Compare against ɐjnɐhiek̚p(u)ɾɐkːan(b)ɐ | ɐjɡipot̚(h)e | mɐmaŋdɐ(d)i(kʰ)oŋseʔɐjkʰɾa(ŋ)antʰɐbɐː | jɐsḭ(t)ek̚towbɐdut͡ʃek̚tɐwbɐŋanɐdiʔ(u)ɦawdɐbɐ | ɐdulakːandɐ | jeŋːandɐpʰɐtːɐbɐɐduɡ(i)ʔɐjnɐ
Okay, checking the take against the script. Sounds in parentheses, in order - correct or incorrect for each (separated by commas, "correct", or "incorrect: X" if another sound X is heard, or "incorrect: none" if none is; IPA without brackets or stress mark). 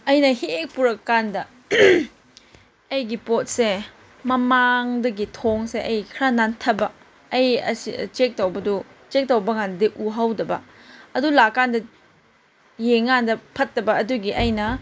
correct, incorrect: d, incorrect: s, incorrect: ɡ, incorrect: tʰ, incorrect: n, incorrect: t͡ʃ, correct, correct